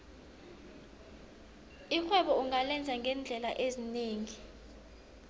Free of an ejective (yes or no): yes